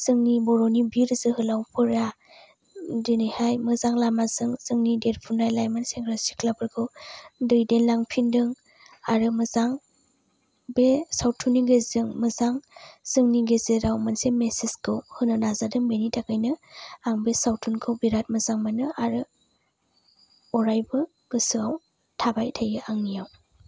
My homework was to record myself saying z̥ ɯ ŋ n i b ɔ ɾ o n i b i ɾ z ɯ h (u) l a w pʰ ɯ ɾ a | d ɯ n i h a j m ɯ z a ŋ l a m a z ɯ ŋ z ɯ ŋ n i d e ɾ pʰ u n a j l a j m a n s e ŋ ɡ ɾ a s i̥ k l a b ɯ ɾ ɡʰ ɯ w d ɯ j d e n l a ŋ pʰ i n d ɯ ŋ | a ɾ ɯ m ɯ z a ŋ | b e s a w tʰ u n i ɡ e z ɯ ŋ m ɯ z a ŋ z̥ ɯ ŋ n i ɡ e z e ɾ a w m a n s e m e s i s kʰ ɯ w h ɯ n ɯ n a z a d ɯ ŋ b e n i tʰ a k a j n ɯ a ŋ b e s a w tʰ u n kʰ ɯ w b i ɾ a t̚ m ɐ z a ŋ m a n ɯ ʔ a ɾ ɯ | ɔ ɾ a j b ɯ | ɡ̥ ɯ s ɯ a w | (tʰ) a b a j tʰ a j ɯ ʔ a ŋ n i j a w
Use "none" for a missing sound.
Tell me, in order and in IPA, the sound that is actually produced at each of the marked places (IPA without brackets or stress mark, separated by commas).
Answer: ɯ, tʰ